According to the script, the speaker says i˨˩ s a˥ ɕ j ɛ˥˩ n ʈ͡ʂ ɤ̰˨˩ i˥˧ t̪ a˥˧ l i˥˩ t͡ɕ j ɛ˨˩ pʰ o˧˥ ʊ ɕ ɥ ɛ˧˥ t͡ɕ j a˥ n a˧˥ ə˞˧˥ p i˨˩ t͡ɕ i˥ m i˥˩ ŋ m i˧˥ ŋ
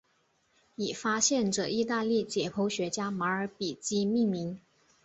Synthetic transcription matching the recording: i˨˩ f a˥ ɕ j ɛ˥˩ n ʈ͡ʂ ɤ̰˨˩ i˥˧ t̪ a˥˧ l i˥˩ t͡ɕ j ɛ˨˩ pʰ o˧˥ ʊ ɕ ɥ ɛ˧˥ t͡ɕ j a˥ m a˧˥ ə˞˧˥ p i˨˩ t͡ɕ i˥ m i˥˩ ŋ m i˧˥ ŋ